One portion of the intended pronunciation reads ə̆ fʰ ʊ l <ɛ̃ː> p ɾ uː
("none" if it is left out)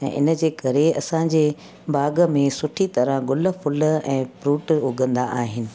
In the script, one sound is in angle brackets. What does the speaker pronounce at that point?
ɛ̃ː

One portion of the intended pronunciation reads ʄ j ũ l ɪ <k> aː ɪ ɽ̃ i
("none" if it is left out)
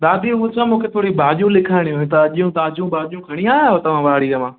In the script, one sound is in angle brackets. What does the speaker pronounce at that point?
kʰ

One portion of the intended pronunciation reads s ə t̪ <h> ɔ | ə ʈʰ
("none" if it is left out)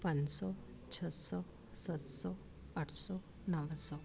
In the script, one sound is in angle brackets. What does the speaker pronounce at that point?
s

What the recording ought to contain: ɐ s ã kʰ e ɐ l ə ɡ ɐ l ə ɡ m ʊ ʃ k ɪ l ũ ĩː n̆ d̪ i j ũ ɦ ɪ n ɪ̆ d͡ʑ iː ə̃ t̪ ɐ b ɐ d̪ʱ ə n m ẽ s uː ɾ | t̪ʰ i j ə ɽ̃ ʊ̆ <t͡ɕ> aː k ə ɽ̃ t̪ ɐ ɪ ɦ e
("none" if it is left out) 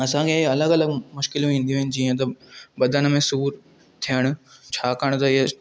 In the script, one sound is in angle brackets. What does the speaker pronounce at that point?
t͡ɕʰ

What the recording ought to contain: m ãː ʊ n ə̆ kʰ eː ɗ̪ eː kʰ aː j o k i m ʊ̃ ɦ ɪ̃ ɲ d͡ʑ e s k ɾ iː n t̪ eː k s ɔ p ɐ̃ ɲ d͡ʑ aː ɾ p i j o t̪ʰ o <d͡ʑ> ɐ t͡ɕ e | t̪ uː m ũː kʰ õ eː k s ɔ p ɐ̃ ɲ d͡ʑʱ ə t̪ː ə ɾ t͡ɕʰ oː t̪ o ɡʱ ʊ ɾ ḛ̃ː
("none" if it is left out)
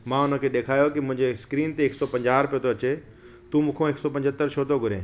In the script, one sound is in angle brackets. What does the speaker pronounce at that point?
none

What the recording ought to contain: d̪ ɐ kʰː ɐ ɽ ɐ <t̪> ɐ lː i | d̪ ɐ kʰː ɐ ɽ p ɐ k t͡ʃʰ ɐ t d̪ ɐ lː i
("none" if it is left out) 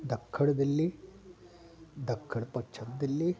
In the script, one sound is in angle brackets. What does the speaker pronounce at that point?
d̪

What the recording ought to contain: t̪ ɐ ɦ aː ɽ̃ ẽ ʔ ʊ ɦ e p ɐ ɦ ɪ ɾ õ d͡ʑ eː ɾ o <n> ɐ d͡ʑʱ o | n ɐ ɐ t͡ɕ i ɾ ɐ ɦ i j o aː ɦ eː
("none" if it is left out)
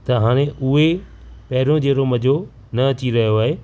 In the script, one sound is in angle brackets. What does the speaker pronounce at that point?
m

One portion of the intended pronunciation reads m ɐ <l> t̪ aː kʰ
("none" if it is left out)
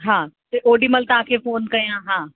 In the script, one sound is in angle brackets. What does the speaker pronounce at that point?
l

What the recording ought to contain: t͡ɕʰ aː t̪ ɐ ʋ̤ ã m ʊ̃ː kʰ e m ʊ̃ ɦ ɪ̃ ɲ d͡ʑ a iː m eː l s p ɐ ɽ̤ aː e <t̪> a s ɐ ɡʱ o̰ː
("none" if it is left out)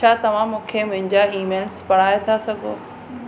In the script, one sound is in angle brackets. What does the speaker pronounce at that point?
t̪ʰ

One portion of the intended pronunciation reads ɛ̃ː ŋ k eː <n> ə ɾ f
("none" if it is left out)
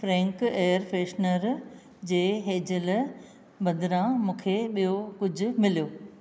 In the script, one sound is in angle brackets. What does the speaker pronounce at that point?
none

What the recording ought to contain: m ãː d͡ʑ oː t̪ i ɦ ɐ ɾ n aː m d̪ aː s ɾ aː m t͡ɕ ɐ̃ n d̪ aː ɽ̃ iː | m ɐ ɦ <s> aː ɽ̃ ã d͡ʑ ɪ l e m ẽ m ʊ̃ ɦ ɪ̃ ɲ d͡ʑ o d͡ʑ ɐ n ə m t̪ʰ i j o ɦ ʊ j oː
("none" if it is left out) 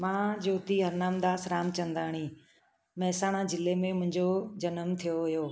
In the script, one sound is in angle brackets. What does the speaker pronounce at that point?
s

